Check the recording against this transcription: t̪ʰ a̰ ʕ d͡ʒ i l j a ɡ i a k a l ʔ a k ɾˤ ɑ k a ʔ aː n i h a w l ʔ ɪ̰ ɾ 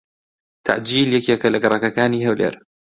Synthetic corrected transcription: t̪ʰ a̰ ʕ d͡ʒ iː l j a k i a k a l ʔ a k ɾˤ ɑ k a k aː n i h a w l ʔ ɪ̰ ɾ